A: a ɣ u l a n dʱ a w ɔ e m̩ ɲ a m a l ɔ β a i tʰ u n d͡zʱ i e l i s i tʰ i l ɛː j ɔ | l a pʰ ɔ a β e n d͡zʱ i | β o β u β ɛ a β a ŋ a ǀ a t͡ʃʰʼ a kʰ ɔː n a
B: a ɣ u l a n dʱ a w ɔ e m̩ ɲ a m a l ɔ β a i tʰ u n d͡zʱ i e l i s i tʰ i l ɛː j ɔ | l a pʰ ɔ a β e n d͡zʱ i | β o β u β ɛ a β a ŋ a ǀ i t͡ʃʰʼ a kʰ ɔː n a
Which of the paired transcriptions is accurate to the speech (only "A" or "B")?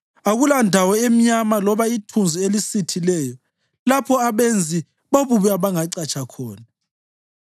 A